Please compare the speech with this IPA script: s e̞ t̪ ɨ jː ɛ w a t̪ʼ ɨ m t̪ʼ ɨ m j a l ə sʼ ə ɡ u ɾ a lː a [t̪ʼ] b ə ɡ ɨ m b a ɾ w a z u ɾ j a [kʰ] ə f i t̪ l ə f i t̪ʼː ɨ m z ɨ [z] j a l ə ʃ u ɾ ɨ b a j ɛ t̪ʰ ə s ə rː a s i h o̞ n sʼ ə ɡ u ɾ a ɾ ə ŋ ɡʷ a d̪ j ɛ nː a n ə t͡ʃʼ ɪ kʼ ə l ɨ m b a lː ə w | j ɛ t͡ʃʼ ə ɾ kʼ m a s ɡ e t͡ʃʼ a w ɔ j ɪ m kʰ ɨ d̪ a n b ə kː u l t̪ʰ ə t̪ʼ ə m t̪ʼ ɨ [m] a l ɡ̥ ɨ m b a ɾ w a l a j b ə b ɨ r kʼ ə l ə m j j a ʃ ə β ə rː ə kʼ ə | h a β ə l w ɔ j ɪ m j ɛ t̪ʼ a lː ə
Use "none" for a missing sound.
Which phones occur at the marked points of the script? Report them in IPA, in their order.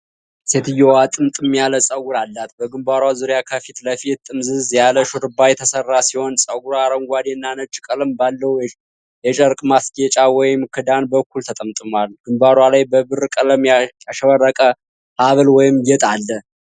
t̪, kʰ, z, m

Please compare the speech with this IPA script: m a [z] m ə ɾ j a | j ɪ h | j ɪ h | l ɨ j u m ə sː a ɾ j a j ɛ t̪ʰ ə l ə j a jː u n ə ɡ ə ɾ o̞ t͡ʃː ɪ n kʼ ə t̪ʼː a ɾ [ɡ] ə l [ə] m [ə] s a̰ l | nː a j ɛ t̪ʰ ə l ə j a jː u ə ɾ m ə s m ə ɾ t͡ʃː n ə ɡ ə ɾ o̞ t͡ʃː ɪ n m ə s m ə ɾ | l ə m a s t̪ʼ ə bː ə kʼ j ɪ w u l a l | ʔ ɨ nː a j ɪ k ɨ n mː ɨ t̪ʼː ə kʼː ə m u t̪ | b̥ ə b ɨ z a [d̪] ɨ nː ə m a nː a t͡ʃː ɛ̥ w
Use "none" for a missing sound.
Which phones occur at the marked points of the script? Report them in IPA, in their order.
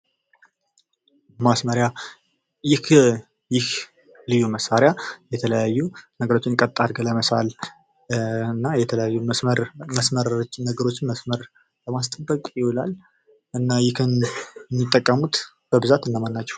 s, ɡ, ə, ə, t̪

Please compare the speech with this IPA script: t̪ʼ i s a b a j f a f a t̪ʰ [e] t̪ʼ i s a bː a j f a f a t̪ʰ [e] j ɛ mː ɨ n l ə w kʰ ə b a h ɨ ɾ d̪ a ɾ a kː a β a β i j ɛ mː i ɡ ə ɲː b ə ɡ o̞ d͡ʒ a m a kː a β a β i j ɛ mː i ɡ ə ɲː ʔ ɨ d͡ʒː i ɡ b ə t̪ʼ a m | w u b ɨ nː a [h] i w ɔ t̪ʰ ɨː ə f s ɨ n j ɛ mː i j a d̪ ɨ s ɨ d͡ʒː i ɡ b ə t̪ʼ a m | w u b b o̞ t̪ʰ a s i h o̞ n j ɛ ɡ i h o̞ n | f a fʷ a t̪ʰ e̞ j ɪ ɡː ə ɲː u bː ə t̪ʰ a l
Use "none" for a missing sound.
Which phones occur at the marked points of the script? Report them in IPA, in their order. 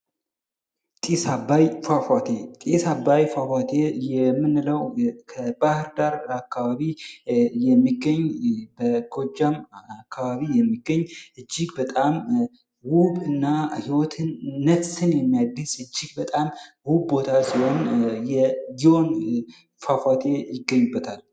e, e, h

